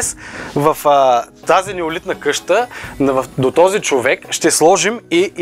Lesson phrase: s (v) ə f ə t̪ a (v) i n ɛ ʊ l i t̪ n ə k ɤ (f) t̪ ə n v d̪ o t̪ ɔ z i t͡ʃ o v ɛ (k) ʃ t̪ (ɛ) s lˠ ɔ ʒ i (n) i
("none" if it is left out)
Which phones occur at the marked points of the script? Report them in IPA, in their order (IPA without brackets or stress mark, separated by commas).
v, z, ʃ, k, ɛ, m